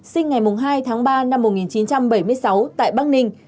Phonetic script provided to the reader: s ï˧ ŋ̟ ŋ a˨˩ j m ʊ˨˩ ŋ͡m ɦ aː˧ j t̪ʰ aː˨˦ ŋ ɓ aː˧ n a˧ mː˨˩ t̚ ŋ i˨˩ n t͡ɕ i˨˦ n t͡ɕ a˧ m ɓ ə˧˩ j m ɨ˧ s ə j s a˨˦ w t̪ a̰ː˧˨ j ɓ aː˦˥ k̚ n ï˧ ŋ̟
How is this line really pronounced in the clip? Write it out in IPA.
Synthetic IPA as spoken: s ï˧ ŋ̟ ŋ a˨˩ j m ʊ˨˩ ŋ͡m ɦ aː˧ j t̪ʰ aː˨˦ ŋ ɓ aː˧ n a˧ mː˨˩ t̚ ŋ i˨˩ n t͡ɕ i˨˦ n t͡ɕ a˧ m ɓ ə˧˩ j m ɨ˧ ə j s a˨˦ w t̪ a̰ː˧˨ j ɓ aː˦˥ k̚ n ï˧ ŋ̟

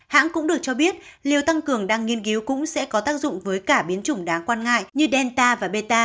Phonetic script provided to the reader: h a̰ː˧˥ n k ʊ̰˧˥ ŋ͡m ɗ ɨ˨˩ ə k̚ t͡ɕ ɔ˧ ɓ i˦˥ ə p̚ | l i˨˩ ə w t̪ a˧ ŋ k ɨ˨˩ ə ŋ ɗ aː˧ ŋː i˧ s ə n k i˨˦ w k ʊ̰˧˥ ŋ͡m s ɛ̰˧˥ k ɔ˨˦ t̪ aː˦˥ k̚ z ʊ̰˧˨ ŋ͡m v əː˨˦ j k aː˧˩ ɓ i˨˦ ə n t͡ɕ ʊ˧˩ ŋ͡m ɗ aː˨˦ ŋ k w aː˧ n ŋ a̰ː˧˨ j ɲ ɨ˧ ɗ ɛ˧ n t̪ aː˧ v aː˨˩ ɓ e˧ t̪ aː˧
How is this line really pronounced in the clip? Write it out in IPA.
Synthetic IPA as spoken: h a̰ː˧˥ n k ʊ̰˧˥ ŋ͡m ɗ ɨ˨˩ ə k̚ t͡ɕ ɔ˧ ɓ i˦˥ ə t̚ | l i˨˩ ə w t̪ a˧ ŋ k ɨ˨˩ ə ŋ ɗ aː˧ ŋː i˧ ə n k i˨˦ w k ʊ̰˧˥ ŋ͡m s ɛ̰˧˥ k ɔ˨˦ t̪ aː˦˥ k̚ z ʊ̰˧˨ ŋ͡m v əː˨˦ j k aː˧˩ ɓ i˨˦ ə n t͡ɕ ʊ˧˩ ŋ͡m ɗ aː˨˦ ŋ k w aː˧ n ŋ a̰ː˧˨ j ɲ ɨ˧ ɗ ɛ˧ n t̪ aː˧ v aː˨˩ ɓ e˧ t̪ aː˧

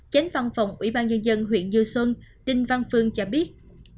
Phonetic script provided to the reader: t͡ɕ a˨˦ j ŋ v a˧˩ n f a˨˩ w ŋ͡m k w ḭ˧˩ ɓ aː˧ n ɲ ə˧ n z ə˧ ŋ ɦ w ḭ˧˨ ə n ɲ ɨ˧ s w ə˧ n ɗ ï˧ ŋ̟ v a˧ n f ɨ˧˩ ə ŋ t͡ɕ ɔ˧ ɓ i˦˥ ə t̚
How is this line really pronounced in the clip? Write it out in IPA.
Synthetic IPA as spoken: t͡ɕ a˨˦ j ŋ v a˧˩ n f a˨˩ w ŋ͡m ʔ w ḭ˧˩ ɓ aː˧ n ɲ ə˧ n z ə˧ n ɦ w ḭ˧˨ ə n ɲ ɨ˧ s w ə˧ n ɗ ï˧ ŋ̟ v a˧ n f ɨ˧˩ ə ŋ t͡ɕ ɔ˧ ɓ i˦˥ ə t̚

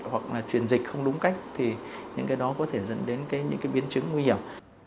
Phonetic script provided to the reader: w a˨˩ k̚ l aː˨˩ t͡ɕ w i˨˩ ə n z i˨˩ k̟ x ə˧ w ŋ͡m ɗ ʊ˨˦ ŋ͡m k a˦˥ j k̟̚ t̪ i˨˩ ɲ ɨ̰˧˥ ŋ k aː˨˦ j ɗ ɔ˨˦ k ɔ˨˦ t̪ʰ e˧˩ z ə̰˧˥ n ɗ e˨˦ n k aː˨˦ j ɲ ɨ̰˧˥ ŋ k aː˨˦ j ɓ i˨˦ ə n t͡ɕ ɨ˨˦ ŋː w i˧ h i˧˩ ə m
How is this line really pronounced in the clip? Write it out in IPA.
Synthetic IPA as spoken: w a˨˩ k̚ l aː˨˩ t͡ɕ w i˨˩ ə n z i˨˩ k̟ x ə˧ w ŋ͡m ɗ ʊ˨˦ ŋ͡m k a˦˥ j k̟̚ t̪ʰ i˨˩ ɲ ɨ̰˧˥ ŋ k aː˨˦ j ɗ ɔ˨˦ k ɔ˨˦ t̪ʰ e˧˩ z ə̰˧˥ n ɗ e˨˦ n k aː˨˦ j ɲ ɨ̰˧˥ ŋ k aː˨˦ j ɓ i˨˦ ə n t͡ɕ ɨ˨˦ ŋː w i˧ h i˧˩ ə m

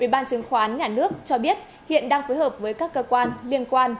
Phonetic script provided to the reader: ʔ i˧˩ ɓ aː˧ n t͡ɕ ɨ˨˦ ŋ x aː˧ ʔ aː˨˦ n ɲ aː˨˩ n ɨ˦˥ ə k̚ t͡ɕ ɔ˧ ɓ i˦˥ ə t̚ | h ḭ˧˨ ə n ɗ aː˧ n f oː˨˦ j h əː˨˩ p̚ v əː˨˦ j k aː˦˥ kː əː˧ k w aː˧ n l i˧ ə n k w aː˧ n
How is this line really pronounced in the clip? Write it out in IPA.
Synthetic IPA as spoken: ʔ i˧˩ ɓ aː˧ n t͡ɕ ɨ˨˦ ŋ x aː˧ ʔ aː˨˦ n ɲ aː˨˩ n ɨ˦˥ ə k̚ t͡ɕ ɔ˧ ɓ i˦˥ ə t̚ | h ḭ˧˨ ə n ɗ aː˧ ŋ f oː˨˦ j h əː˨˩ p̚ v əː˨˦ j k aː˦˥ kː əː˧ k w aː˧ n l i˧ ə n k w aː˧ n

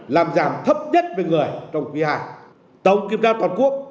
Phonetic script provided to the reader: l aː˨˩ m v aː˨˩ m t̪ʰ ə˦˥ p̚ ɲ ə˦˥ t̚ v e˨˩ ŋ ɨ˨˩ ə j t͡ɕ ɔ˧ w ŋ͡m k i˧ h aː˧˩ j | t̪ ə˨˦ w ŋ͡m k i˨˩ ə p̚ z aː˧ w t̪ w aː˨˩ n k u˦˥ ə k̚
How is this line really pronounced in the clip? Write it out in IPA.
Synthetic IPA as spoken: l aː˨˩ m z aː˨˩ m t̪ʰ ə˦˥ p̚ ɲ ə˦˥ t̚ v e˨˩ ŋ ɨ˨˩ ə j t͡ɕ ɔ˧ w ŋ͡m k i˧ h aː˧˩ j | t̪ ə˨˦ w ŋ͡m k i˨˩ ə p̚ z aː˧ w t̪ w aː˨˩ n k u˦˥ ə k̚

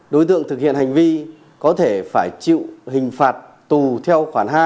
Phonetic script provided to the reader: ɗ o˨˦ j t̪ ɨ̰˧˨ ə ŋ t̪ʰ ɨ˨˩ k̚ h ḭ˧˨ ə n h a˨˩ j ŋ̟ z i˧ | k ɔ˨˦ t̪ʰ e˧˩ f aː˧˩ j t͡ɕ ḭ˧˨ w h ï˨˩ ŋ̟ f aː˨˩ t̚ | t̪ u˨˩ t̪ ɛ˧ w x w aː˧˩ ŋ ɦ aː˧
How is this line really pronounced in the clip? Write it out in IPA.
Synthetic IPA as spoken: ɗ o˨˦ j t̪ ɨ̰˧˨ ə ŋ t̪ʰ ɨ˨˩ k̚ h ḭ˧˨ ə n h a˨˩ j ŋ̟ v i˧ | k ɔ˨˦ t̪ʰ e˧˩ f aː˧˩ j t͡ɕ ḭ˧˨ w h ï˨˩ ŋ̟ f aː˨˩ t̚ | t̪ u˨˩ t̪ʰ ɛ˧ w x w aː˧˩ n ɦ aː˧

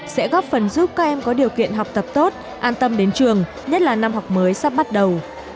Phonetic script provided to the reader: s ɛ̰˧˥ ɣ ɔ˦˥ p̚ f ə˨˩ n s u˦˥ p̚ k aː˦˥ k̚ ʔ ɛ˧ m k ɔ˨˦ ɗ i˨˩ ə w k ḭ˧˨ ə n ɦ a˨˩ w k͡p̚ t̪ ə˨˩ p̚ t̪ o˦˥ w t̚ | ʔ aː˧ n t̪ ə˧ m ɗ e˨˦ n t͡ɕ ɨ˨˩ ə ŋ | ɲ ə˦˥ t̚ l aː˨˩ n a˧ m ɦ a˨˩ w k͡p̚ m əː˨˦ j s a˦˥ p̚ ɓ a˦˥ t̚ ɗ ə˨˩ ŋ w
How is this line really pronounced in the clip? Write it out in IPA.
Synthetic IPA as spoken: s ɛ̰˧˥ ɣ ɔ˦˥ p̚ f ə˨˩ n z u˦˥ p̚ k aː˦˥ k̚ ʔ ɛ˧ m k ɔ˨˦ ɗ i˨˩ ə w k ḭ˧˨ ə n ɦ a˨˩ w k͡p̚ t̪ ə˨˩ p̚ t̪ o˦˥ t̚ | ʔ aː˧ n t̪ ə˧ m ɗ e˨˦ n t͡ɕ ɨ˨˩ ə ŋ | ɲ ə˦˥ t̚ l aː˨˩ n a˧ m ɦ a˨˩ w k͡p̚ m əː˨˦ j s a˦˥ p̚ ɓ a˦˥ t̚ ɗ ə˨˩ w

